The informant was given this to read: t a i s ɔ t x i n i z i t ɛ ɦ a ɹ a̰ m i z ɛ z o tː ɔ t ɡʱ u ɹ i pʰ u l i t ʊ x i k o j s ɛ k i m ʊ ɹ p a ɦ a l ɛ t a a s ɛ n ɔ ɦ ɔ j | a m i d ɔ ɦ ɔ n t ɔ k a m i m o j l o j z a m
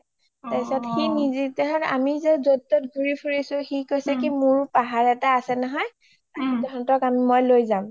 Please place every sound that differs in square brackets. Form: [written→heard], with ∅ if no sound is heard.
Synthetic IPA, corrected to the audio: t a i s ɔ t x i n i z i t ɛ ɦ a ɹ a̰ m i z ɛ z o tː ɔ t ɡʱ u ɹ i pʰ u [l→ɹ] i [t→s] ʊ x i k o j s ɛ k i m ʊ ɹ p a ɦ a [l→ɹ] ɛ t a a s ɛ n ɔ ɦ ɔ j | a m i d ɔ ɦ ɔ n t ɔ k a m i m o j l o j z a m

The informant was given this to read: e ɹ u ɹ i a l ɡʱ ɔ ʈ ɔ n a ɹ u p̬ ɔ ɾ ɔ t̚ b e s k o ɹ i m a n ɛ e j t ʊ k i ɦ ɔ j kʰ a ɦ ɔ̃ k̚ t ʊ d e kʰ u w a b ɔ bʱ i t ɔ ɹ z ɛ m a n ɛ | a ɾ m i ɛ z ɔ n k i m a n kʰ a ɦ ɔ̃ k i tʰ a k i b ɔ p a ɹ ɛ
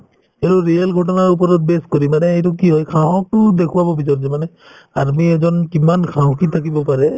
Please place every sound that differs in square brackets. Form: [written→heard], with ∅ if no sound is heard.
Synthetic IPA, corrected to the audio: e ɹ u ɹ i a l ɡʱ ɔ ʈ ɔ n a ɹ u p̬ ɔ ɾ ɔ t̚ b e s k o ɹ i m a n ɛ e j t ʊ k i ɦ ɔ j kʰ a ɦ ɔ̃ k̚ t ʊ d e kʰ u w a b ɔ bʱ i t ɔ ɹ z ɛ m a n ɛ | a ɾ m i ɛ z ɔ n k i m a n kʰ a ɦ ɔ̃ k i tʰ a k i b ɔ p a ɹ ɛ

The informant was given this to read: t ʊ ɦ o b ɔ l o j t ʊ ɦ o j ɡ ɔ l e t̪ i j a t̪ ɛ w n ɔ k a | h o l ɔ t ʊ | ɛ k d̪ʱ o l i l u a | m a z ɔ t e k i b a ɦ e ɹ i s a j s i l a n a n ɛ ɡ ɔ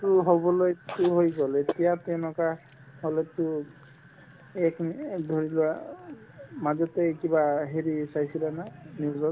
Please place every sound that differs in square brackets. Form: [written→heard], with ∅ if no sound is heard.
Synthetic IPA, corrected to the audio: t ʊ ɦ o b ɔ l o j t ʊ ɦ o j ɡ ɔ l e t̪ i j a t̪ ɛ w n ɔ k a | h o l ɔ t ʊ | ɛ k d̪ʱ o [l→ɹ] i l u a | m a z ɔ t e k i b a ɦ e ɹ i s a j s i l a n a n [ɛ→i] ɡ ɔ

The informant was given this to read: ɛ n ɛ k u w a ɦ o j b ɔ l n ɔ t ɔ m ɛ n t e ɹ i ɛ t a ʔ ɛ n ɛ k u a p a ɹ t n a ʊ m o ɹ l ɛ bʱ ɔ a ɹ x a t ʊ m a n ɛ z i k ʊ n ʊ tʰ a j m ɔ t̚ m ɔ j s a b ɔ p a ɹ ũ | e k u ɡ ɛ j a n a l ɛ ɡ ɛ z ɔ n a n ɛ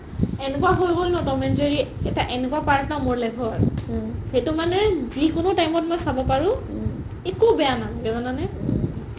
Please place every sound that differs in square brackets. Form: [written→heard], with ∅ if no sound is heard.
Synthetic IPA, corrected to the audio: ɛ n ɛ k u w a ɦ o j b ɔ l n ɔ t ɔ m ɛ n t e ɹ i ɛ t a ʔ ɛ n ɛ k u a p a ɹ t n a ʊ m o ɹ l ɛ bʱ ɔ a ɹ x [a→e] t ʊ m a n ɛ z i k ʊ n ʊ [tʰ→t] a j m ɔ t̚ m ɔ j s a b ɔ p a ɹ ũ | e k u [ɡ→b] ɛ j a n a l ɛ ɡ ɛ z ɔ n a n ɛ

